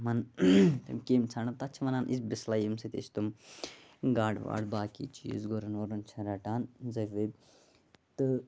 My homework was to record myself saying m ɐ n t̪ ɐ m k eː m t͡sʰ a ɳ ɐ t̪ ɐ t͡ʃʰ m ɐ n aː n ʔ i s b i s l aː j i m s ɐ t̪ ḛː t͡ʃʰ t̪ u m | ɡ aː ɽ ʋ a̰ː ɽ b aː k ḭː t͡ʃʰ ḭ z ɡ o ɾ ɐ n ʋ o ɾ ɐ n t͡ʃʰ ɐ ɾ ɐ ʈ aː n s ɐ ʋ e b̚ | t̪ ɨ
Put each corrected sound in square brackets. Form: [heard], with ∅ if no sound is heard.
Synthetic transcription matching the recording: m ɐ n t̪ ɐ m k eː m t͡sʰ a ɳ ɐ t̪ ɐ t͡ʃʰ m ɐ n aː n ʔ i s b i s l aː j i m s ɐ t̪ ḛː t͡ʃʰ t̪ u m | ɡ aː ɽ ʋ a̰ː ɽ b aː k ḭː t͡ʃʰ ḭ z ɡ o ɾ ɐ n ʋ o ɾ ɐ n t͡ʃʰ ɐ ɾ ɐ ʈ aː n [z] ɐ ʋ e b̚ | t̪ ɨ

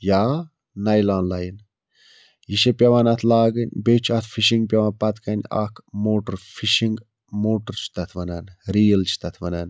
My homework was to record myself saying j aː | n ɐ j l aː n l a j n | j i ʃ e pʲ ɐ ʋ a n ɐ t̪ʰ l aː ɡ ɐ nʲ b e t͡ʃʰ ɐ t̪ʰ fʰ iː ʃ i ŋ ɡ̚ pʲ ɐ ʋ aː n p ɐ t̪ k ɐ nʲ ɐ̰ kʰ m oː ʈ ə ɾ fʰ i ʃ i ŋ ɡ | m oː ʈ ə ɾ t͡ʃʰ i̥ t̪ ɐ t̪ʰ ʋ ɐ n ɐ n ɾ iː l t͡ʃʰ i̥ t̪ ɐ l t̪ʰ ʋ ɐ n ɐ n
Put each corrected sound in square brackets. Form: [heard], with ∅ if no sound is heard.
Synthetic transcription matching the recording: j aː | n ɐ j l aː n l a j n | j i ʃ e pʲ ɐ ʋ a n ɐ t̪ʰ l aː ɡ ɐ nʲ b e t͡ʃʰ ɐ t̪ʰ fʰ [i] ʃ i ŋ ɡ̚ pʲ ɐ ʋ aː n p ɐ t̪ k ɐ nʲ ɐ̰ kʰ m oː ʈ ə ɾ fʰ i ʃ i ŋ ɡ | m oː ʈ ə ɾ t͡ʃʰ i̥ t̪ ɐ t̪ʰ ʋ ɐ n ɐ n ɾ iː l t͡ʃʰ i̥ t̪ ɐ [∅] t̪ʰ ʋ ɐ n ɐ n

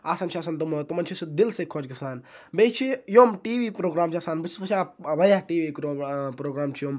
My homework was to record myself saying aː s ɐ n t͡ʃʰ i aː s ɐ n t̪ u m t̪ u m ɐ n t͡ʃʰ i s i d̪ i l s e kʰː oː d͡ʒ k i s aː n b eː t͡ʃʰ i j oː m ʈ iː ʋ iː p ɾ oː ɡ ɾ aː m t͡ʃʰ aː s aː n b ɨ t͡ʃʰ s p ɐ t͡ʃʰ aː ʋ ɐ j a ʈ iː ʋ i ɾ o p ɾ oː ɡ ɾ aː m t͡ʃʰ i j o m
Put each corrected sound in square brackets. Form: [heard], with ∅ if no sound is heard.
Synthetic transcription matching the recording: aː s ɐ n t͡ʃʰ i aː s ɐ n t̪ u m t̪ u m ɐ n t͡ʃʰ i s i d̪ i l s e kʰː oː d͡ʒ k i s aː n b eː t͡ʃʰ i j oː m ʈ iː ʋ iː p ɾ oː ɡ ɾ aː m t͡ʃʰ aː s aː n b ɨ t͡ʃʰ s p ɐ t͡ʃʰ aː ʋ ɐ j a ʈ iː ʋ i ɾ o p ɾ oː ɡ ɾ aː m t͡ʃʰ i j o m

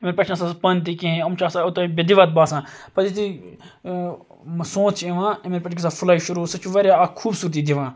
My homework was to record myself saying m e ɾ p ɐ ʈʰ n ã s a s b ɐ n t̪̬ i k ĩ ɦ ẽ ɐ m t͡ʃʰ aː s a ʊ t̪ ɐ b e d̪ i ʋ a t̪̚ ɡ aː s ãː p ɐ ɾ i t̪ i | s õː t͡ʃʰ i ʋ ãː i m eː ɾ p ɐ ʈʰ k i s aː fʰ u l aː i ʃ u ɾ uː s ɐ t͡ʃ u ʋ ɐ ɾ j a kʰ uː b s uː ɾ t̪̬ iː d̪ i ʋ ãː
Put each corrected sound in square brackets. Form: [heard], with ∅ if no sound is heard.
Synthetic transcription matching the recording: m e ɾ p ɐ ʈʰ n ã s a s [p] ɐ n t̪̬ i k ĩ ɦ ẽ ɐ m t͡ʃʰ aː s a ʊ t̪ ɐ b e d̪ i ʋ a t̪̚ [b] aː s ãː p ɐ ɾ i t̪ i | s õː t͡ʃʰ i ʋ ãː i m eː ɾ p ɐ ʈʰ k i s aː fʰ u l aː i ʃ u ɾ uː s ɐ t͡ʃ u ʋ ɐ ɾ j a kʰ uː b s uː ɾ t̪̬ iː d̪ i ʋ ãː

